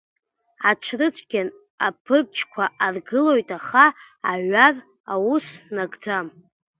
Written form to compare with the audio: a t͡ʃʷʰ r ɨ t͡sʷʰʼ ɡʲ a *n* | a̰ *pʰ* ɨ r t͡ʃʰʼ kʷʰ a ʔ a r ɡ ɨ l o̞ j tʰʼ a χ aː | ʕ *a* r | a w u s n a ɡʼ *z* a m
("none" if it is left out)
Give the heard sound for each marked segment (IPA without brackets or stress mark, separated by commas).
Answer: n, pʰ, a, d͡z